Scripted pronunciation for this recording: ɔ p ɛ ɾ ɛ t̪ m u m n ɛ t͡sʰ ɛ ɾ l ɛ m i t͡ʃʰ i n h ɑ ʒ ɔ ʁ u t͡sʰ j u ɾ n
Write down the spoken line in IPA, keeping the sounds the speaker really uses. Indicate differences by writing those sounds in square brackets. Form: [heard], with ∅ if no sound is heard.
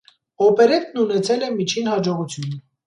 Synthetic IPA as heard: ɔ p ɛ ɾ ɛ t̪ [n] u [∅] n ɛ t͡sʰ ɛ [∅] l ɛ m i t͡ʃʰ i n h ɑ [d͡ʒ] ɔ ʁ u t͡sʰ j u [∅] n